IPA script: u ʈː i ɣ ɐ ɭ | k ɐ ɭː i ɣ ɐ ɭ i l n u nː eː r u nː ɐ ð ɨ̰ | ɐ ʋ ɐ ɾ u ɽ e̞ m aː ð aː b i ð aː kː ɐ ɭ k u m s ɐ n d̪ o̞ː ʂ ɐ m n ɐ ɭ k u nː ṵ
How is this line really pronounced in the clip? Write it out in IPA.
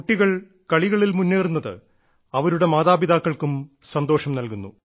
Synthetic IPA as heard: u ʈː i ɣ ɐ ɭ | k ɐ ɭ i ɣ ɐ ɭ i l m u nː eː r u nː ɐ ð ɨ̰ | ɐ ʋ ɐ ɾ u ɽ e̞ m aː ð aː b i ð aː kː ɐ ɭ k u m s ɐ n d̪ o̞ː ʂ ɐ m n ɐ l k u nː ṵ